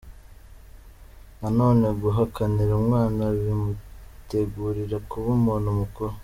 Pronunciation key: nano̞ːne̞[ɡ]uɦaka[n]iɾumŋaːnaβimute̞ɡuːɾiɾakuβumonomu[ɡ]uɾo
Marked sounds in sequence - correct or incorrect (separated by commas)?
correct, correct, incorrect